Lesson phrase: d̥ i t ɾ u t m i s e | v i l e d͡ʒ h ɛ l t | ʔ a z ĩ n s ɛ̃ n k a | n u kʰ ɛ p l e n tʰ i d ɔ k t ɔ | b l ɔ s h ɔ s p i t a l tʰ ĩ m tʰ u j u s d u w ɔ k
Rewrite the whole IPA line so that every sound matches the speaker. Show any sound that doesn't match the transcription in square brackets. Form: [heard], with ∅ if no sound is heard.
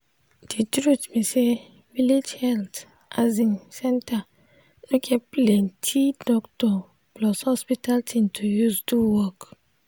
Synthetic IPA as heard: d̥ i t ɾ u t m i s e | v i l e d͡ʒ h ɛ l t | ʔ a z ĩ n s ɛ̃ n [t] a | n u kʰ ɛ p l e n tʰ i d ɔ k t ɔ | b l ɔ s h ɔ s p i t a l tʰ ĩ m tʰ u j u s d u w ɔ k